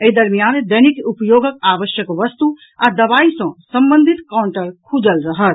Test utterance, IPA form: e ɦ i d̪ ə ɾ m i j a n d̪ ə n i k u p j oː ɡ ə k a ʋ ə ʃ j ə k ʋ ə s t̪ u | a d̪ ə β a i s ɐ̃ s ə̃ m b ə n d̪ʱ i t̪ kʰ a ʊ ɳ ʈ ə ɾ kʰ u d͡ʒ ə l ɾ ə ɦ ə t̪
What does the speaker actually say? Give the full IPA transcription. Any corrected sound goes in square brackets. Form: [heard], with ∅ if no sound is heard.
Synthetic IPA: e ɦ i d̪ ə ɾ m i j a n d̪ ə n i k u p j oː ɡ ə k a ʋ ə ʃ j ə k ʋ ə s t̪ u | a d̪ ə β a i s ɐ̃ s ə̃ m b ə n d̪ʱ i t̪ [k] a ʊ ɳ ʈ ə ɾ kʰ u d͡ʒ ə l ɾ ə ɦ ə t̪